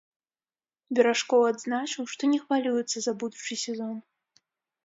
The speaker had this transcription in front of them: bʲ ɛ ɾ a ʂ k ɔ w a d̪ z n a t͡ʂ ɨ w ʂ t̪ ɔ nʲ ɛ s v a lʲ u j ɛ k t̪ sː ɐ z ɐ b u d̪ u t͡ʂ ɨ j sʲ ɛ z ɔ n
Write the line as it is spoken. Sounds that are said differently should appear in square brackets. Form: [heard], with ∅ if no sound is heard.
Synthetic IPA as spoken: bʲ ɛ ɾ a ʂ k ɔ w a d̪ z n a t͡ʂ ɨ w ʂ t̪ ɔ nʲ ɛ [x] v a lʲ u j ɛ [∅] t̪ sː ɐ z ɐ b u d̪ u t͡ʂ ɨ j sʲ ɛ z ɔ n

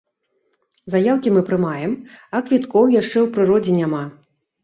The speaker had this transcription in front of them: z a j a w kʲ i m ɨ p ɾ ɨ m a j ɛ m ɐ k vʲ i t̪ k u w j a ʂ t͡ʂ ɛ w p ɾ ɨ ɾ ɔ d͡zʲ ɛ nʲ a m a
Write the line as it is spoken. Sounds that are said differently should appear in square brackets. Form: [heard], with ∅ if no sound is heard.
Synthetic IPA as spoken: z a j a w kʲ i m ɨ p ɾ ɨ m a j ɛ m ɐ k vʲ i t̪ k [ɔ] w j a ʂ t͡ʂ ɛ w p ɾ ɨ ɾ ɔ d͡zʲ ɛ nʲ a m a

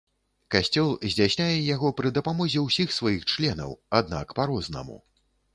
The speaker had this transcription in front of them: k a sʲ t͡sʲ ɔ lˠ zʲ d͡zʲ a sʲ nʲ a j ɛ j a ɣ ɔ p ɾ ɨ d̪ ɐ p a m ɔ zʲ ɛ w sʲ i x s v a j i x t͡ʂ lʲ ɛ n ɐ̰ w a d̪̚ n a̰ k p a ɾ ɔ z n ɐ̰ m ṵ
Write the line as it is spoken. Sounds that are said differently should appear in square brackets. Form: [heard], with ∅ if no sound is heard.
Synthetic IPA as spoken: k a sʲ t͡sʲ ɔ lˠ zʲ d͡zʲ a sʲ nʲ a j ɛ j a ɣ ɔ p ɾ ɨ d̪ ɐ p a m ɔ zʲ ɛ w sʲ i x s v a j i x t͡ʂ lʲ ɛ n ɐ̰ w a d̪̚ n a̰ k p a ɾ ɔ z n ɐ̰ m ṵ

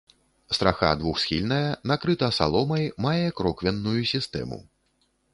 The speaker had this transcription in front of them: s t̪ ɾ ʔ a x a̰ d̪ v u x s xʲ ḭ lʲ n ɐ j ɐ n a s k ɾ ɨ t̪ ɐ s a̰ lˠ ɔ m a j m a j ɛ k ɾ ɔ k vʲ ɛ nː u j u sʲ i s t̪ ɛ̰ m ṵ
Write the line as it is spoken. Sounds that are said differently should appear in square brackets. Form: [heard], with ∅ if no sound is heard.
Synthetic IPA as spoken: s t̪ ɾ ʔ a x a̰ d̪ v u x s xʲ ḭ lʲ n ɐ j ɐ n a [∅] k ɾ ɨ t̪ ɐ s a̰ lˠ ɔ m [ɐ] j m a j ɛ k ɾ ɔ k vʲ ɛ nː u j u sʲ i s t̪ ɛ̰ m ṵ

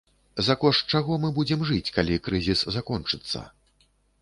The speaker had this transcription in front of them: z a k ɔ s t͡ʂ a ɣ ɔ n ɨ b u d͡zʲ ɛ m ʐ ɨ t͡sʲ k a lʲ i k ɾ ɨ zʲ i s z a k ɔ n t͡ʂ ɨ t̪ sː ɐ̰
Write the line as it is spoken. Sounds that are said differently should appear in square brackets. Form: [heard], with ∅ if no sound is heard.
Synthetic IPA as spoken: z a k ɔ [ʂ] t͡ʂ a ɣ ɔ [m] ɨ b u d͡zʲ ɛ m ʐ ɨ t͡sʲ k a lʲ i k ɾ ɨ zʲ i s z a k ɔ n t͡ʂ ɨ t̪ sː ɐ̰

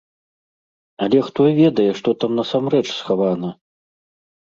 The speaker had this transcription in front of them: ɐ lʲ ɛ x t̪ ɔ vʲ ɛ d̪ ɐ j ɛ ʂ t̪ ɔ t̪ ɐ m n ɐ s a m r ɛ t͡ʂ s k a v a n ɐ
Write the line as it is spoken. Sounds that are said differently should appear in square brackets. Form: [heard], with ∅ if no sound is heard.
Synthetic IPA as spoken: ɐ lʲ ɛ x t̪ ɔ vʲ ɛ d̪ ɐ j ɛ ʂ t̪ ɔ t̪ [a] m n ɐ s a m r ɛ t͡ʂ s [x] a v a n ɐ

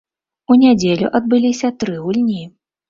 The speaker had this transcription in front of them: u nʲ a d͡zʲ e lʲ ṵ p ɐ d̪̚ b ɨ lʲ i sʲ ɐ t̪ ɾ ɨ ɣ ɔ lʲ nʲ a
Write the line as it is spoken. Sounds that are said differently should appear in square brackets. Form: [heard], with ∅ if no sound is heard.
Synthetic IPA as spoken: u nʲ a d͡zʲ e lʲ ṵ [ʔ] ɐ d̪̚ b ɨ lʲ i sʲ ɐ t̪ ɾ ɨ ɣ [u] lʲ nʲ [i]

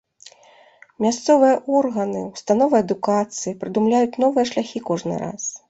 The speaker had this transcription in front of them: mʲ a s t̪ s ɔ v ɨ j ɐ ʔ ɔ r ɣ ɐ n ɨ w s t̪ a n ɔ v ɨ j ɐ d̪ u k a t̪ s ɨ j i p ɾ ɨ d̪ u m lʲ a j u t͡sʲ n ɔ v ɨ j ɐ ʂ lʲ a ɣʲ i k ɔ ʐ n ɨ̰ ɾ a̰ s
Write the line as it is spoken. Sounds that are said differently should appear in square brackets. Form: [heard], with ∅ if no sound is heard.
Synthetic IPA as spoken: mʲ a s t̪ s ɔ v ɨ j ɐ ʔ ɔ r ɣ ɐ n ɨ w s t̪ a n ɔ v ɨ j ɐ d̪ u k a t̪ s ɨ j i p ɾ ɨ d̪ u m lʲ a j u t͡sʲ n ɔ v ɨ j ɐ ʂ lʲ a [xʲ] i k ɔ ʐ n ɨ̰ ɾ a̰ s

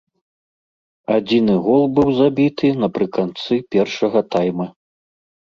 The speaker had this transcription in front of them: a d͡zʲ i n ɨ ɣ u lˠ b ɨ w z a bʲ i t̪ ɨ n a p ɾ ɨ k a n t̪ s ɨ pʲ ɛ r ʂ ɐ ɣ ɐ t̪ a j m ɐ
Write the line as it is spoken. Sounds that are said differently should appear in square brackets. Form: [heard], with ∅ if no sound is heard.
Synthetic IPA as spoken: a d͡zʲ i n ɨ ɣ [ɔ] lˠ b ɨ w z a bʲ i t̪ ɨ n [ɐ] p ɾ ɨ k a n t̪ s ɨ pʲ ɛ r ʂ ɐ ɣ ɐ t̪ a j m ɐ

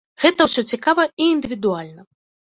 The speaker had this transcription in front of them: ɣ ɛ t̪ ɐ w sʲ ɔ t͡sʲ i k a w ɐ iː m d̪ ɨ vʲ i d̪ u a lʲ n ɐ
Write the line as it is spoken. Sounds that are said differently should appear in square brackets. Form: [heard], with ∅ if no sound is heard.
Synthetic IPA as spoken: ɣ ɛ t̪ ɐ w sʲ ɔ t͡sʲ i k a [v] ɐ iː [n] d̪ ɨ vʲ i d̪ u a lʲ n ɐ

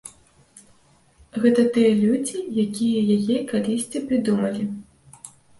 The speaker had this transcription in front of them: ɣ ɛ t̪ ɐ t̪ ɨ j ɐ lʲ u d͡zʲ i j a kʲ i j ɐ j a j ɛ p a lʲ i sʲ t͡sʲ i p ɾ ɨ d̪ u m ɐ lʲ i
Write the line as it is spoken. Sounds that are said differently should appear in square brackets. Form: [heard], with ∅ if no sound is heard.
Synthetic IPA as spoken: ɣ ɛ t̪ ɐ t̪ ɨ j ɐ lʲ u d͡zʲ i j a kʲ i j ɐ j a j ɛ [k] a lʲ i sʲ t͡sʲ i p ɾ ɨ d̪ u m ɐ lʲ i

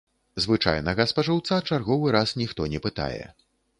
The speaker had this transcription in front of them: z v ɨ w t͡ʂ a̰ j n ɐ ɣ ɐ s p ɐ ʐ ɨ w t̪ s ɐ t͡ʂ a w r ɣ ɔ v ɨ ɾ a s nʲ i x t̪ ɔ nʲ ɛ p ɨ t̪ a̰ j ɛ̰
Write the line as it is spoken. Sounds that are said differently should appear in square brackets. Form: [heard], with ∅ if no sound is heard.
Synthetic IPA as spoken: z v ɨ [∅] t͡ʂ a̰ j n ɐ ɣ ɐ s p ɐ ʐ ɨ w t̪ s [a] t͡ʂ a [∅] r ɣ ɔ v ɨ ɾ a s nʲ i x t̪ ɔ nʲ ɛ p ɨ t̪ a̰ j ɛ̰

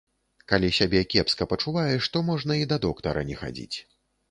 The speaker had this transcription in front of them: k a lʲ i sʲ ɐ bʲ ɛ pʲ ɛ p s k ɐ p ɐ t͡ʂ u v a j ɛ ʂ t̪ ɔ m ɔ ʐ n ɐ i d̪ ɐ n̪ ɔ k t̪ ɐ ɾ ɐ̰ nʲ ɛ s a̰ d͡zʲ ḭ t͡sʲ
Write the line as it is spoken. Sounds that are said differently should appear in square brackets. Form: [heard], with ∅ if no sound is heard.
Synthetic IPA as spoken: k a lʲ i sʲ [a] bʲ ɛ [kʲ] ɛ p s k ɐ p ɐ t͡ʂ u v a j ɛ ʂ t̪ ɔ m ɔ ʐ n ɐ i d̪ ɐ [d̪] ɔ k t̪ ɐ ɾ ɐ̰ nʲ ɛ [x] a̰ d͡zʲ ḭ t͡sʲ

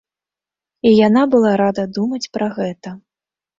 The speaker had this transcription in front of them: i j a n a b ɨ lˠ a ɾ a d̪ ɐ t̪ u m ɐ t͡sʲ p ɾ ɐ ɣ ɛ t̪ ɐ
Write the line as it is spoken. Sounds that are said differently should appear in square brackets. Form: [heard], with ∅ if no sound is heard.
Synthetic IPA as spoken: i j a n a b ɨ lˠ a ɾ a d̪ ɐ [d̪] u m ɐ t͡sʲ p ɾ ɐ ɣ ɛ t̪ ɐ

